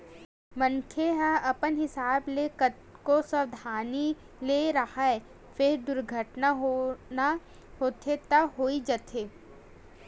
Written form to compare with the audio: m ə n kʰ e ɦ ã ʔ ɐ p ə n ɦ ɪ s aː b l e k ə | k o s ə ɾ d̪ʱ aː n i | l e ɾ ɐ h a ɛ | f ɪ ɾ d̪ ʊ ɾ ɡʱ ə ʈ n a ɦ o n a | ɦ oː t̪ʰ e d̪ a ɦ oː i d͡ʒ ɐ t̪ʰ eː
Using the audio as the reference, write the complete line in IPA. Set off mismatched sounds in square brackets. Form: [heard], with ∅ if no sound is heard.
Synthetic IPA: m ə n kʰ e ɦ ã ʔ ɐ p ə n ɦ ɪ s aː b l e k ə | k o s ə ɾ d̪ʱ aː n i | l e ɾ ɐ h a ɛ | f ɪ ɾ d̪ ʊ ɾ ɡʱ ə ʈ n a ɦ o n a | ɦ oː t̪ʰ e [t̪] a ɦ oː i d͡ʒ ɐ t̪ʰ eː